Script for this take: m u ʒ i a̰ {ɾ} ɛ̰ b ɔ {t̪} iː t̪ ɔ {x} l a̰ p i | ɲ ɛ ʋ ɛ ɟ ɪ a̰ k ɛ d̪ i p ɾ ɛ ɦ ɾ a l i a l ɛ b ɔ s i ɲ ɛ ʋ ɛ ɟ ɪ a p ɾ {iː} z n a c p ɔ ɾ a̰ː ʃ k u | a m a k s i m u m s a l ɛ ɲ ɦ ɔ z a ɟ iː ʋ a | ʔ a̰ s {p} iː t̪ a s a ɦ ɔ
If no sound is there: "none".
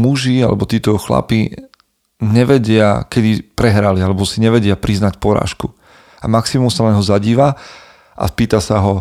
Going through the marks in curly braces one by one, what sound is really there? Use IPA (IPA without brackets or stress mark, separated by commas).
l, t̪, x, i, p